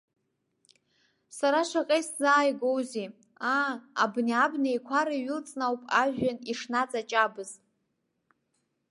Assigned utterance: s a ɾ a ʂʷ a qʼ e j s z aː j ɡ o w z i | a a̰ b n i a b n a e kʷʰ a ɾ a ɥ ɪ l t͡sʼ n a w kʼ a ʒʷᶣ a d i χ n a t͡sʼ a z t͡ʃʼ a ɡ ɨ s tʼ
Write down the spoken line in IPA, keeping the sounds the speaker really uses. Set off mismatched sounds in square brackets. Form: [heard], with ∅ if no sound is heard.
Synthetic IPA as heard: s a ɾ a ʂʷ a qʼ e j s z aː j ɡ o w z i | a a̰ b n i a b n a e kʷʰ a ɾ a ɥ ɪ l t͡sʼ n a w [pʼ] a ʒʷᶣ a [n] i [ʂ] n a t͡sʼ a [∅] t͡ʃʼ a [b] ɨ [z] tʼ